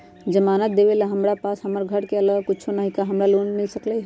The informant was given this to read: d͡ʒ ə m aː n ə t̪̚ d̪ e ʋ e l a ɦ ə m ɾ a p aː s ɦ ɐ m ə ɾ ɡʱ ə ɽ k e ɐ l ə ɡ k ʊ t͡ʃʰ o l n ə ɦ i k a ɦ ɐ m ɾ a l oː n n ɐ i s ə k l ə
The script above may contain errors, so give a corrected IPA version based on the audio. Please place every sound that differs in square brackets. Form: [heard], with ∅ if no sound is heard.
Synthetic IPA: d͡ʒ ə m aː n ə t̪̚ d̪ e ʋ e l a ɦ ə m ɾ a p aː s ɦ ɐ m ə ɾ ɡʱ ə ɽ k e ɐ l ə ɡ k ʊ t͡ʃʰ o [∅] n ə ɦ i k a ɦ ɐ m ɾ a l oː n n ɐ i s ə k l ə